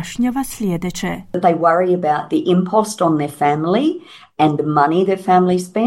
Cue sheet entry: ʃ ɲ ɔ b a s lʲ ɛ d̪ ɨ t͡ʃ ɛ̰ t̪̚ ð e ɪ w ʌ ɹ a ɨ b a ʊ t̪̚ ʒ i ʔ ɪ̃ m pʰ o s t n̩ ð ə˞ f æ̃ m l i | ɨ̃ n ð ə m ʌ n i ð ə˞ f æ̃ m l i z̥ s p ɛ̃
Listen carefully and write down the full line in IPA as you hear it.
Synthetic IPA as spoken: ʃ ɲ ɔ v a s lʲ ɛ d̪ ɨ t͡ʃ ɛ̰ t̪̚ ð e ɪ w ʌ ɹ i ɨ b a ʊ t̪̚ ð i ʔ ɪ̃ m pʰ ɔ s t n̩ ð ə˞ f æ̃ m l i | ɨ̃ n ð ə m ʌ n i ð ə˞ f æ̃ m l i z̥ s p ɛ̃